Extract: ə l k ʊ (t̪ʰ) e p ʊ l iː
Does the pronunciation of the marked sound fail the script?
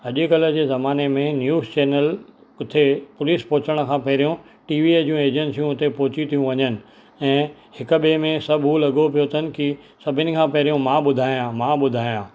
no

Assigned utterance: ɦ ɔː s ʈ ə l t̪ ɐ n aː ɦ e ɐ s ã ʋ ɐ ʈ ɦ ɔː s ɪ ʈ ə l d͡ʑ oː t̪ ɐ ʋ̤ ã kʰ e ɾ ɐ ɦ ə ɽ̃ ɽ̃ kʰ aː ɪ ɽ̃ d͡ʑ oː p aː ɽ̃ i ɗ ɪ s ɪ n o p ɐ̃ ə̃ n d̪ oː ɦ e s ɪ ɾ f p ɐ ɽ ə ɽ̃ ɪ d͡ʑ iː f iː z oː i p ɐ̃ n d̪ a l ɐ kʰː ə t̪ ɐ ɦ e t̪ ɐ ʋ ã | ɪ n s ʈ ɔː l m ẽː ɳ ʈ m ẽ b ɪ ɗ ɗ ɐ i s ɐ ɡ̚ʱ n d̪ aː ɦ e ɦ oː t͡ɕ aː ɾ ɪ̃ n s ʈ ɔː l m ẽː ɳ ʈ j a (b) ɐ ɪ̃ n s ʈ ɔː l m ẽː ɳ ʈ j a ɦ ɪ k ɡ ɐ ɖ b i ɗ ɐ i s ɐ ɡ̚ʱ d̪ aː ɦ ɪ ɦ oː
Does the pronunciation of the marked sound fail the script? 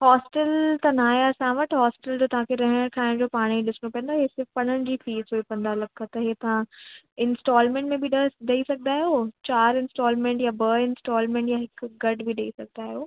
no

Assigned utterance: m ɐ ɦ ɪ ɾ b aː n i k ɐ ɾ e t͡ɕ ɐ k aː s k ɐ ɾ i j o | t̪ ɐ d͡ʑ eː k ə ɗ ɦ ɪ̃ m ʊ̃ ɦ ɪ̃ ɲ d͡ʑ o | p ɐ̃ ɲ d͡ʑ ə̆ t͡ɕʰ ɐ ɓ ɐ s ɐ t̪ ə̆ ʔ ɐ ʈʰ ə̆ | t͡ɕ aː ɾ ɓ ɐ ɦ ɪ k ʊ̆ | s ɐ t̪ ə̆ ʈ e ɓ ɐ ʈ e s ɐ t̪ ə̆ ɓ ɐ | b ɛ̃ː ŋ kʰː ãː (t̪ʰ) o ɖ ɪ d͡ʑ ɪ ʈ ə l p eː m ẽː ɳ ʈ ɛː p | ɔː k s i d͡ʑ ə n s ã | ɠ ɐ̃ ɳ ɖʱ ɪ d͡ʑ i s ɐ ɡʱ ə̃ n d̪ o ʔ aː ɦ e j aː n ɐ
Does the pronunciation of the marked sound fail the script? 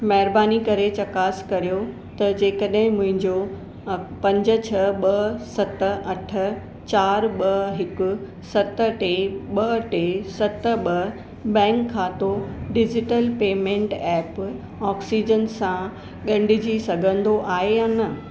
yes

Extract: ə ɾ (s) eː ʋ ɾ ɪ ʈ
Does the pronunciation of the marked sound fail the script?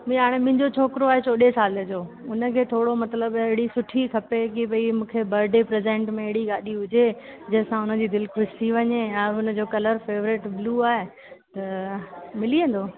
yes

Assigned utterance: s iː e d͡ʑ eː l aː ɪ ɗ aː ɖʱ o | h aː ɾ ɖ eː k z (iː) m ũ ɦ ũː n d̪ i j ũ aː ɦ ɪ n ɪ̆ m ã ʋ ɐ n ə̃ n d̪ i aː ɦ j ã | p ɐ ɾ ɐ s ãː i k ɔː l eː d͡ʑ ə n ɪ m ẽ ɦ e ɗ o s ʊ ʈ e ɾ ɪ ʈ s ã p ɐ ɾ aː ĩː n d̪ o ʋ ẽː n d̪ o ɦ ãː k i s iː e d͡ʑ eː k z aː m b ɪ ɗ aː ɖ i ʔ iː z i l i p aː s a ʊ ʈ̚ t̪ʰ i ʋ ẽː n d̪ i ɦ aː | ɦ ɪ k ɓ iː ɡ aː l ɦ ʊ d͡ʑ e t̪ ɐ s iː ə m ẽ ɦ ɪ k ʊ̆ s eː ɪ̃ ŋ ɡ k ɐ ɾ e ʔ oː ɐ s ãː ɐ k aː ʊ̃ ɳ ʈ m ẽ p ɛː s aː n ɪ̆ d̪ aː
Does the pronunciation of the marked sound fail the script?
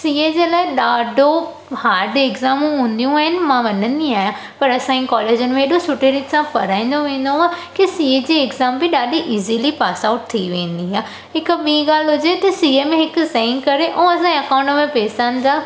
yes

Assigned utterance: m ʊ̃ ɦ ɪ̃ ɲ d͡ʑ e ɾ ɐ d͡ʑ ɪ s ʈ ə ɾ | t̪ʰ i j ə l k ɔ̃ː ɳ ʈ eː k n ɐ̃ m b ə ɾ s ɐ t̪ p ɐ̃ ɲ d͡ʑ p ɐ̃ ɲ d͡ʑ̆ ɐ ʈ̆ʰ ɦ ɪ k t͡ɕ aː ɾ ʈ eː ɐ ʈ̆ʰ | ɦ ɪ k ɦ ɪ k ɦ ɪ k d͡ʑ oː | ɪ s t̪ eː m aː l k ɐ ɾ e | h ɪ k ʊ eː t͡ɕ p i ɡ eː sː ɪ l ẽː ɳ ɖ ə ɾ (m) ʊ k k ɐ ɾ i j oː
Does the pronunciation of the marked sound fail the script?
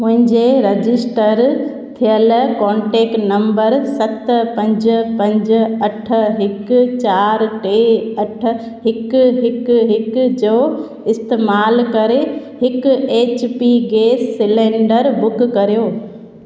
yes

